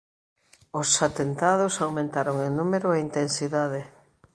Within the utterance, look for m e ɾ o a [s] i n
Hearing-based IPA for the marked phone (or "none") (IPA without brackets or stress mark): none